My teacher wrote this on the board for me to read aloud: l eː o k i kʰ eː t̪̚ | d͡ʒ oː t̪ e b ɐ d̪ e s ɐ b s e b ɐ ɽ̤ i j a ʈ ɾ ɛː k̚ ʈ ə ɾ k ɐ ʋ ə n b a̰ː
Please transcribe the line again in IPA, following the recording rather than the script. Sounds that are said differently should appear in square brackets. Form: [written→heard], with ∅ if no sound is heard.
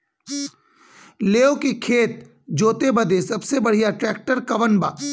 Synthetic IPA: l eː o k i kʰ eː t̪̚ | d͡ʒ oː t̪ e b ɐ d̪ e s ɐ b s e b ɐ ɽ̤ i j a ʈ ɾ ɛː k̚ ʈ ə ɾ k ɐ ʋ ə n b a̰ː